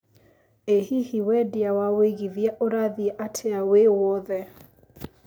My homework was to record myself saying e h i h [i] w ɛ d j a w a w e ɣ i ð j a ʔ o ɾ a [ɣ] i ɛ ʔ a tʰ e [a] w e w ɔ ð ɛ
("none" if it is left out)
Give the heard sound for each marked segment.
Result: i, ð, a

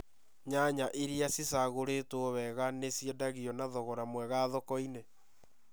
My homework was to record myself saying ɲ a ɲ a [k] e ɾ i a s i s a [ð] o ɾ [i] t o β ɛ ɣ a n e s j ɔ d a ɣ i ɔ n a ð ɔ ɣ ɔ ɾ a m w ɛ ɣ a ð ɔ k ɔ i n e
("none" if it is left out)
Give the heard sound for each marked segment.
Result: ʔ, ɣ, e

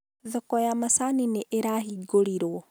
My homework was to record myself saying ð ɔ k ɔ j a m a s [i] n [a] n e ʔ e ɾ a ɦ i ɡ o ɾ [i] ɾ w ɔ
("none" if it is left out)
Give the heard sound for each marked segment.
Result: a, i, i

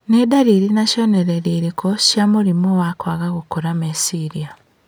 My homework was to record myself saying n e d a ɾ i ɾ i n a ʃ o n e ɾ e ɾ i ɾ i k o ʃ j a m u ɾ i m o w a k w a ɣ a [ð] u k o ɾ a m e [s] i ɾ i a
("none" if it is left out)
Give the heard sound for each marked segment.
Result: ɣ, s

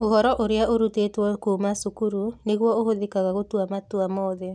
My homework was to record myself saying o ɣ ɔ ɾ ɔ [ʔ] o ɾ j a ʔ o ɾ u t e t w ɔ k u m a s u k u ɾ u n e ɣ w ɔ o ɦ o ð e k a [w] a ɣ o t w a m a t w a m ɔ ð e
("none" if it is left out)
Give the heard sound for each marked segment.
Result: ʔ, ɣ

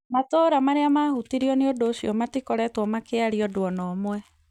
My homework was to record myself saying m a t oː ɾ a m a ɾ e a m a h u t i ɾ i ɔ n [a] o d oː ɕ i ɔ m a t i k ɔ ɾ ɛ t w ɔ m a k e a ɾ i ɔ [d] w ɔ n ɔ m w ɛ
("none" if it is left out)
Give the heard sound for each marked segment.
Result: e, d

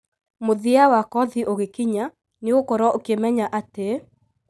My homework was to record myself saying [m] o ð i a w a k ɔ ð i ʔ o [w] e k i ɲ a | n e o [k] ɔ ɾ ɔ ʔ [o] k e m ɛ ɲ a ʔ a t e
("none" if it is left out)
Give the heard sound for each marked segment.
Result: m, ɣ, k, o

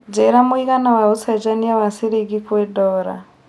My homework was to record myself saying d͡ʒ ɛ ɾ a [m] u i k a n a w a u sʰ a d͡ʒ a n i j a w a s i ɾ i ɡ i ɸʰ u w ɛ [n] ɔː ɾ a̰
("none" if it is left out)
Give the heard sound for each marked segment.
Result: m, d

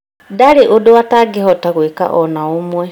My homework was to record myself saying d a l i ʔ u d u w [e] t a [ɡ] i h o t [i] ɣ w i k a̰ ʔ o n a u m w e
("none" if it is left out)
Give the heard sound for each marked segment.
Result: a, ɡ, a

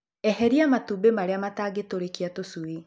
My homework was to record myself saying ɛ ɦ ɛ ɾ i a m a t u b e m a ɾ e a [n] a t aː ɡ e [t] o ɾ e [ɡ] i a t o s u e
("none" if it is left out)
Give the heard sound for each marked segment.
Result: m, t, k

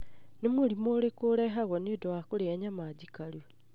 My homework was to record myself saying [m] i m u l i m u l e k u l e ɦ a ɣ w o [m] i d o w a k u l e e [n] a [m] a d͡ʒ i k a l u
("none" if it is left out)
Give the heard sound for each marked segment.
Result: n, n, ɲ, m

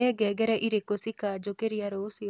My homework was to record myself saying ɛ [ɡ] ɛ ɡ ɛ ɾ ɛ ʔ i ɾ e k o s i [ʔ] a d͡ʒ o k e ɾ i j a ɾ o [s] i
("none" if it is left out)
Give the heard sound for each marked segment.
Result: ɡ, k, s

